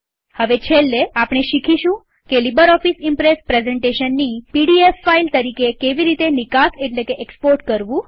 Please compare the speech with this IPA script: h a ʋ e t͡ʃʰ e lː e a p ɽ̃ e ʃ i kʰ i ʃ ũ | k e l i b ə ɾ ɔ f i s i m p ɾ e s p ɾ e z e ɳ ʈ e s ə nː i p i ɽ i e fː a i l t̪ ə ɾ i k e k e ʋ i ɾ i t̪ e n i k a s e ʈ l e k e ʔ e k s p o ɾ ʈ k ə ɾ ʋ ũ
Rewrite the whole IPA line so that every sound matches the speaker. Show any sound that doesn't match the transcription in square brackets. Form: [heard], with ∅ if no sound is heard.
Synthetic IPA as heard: h [ə] ʋ e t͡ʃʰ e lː e a p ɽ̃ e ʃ i kʰ i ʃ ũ | k e l i b ə ɾ ɔ f i s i m p ɾ e s p ɾ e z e ɳ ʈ e [ʃ] ə nː i p i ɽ i e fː a i l t̪ ə ɾ i k e k e ʋ i ɾ i t̪ e n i k a s e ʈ l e k e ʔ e k s p o ɾ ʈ k ə ɾ ʋ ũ